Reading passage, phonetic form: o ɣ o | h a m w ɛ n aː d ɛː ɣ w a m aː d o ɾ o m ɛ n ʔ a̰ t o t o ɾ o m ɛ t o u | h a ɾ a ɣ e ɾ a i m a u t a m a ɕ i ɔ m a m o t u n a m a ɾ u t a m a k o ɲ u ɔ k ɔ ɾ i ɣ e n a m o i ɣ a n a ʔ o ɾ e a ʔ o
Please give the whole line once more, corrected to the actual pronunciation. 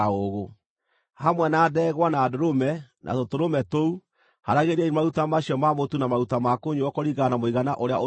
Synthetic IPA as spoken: o ɣ o | h a m w ɛ n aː d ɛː ɣ w a n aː d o ɾ o m ɛ n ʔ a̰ t o t o ɾ o m ɛ t o u | h a ɾ a ɣ e ɾ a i m a u t a m a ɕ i ɔ m a m o t u n a m a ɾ u t a m a k o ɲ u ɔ k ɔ ɾ i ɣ a n a m o i ɣ a n a ʔ o ɾ e a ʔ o